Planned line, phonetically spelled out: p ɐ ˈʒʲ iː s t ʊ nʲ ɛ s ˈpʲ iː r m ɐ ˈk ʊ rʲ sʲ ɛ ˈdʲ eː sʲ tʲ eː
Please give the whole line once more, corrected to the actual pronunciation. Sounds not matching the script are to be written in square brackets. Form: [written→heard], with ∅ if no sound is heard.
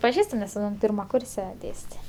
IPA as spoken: p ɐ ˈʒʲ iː s t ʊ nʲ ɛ s ˈpʲ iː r m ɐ ˈk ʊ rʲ sʲ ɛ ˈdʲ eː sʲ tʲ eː